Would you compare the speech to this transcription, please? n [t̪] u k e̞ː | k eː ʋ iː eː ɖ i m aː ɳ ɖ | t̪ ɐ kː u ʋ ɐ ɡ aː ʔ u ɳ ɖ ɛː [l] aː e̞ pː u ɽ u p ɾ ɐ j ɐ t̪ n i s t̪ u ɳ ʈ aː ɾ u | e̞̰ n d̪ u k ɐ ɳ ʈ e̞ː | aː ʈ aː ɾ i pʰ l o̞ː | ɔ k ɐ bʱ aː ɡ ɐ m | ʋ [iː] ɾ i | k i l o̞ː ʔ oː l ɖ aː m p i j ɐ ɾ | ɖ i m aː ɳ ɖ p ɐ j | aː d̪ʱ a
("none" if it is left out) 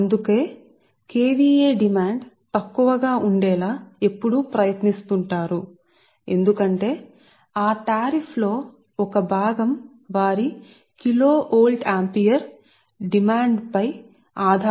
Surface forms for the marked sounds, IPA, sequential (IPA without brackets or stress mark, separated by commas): d̪, l, aː